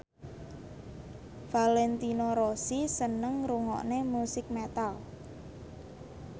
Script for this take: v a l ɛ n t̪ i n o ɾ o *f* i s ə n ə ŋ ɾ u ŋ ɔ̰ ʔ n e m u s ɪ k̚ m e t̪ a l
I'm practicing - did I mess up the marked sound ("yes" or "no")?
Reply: yes